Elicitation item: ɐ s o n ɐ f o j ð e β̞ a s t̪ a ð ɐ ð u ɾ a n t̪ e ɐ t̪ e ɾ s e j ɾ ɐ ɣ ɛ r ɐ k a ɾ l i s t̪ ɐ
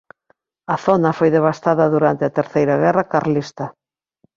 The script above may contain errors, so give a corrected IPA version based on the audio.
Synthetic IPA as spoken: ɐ θ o n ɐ f o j ð e β̞ a s t̪ a ð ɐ ð u ɾ a n t̪ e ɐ t̪ e ɾ θ e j ɾ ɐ ɣ ɛ r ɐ k a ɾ l i s t̪ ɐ